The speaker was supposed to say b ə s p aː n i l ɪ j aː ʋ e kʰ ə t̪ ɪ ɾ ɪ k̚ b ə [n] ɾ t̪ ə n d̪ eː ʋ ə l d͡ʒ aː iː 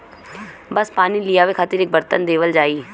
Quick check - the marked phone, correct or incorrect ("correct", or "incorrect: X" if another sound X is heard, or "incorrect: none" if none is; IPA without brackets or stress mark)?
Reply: incorrect: none